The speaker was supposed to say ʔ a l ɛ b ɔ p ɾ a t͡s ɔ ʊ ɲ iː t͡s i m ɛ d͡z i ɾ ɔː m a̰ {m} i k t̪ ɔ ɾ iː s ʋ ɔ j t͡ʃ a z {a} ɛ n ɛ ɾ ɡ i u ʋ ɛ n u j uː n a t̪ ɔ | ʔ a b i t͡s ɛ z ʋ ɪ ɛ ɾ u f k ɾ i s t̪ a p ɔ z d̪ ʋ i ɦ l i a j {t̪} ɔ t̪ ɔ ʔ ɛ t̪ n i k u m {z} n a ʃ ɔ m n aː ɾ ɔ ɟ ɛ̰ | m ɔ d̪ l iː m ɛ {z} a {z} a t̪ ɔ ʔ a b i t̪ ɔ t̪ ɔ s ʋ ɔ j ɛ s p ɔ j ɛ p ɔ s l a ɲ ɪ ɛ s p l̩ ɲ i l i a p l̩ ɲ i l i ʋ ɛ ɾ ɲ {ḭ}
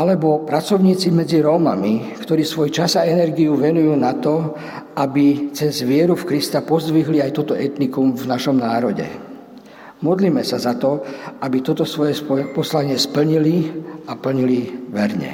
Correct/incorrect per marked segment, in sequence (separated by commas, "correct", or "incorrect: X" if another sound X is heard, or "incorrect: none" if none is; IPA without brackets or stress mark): correct, correct, correct, incorrect: v, incorrect: s, correct, incorrect: ɛ̰